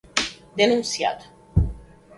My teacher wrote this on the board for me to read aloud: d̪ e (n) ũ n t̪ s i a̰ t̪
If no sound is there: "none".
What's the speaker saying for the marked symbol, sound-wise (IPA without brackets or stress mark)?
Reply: n